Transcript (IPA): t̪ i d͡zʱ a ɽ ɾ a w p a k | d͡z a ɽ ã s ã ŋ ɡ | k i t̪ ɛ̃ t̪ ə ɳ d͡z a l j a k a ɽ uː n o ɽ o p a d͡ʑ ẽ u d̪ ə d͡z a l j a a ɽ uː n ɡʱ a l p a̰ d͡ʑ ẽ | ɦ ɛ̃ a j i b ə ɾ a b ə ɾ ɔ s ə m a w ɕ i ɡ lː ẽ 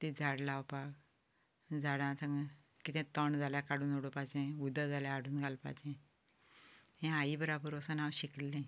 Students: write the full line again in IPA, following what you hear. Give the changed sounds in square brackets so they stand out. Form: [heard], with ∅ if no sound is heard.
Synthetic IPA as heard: t̪ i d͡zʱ a ɽ [l] a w p a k | d͡z a ɽ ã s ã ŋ ɡ | k i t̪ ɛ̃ t̪ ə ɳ d͡z a l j a k a ɽ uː n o ɽ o p a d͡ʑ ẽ u d̪ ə d͡z a l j a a ɽ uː n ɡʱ a l p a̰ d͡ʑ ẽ | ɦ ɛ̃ a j i b ə ɾ a b ə ɾ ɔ s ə [n] a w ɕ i [k] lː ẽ